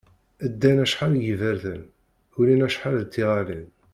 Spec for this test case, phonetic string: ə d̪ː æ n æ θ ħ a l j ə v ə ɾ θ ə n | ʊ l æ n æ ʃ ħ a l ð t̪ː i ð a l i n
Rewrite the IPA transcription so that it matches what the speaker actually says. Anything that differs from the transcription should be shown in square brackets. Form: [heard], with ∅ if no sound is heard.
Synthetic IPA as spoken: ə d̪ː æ n æ [ʃ] ħ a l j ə v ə ɾ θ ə n | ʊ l [i] n æ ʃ ħ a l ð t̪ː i [ʁ] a l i n